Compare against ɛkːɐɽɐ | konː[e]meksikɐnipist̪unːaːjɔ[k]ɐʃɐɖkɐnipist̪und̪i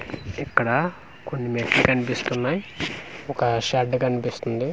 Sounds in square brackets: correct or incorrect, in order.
incorrect, correct

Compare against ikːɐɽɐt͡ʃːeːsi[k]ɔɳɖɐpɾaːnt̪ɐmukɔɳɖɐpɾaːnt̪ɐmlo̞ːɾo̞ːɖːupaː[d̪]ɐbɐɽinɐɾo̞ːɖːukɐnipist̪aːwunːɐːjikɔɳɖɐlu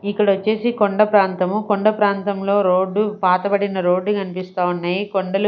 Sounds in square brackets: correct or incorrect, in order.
correct, incorrect

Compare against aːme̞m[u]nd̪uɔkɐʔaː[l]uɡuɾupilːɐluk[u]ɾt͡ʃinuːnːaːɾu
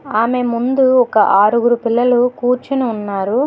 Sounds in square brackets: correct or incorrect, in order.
correct, incorrect, incorrect

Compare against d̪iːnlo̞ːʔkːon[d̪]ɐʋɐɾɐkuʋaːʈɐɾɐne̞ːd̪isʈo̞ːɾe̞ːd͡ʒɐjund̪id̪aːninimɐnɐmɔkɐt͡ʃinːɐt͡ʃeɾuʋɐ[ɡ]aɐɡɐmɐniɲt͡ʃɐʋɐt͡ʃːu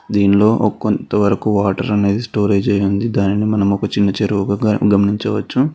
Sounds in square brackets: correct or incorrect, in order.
incorrect, correct

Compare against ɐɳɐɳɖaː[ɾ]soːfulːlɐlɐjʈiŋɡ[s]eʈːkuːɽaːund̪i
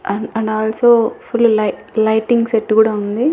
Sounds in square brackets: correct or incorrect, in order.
incorrect, correct

